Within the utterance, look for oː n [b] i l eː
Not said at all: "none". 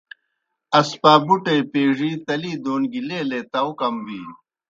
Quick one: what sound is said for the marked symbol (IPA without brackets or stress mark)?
ɡ